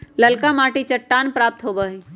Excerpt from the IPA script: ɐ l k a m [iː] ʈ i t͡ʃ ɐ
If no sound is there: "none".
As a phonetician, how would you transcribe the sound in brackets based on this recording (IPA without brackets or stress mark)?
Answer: aː